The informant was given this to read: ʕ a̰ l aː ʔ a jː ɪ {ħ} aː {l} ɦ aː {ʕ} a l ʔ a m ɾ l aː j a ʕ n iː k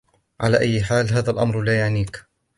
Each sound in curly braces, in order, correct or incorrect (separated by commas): correct, correct, incorrect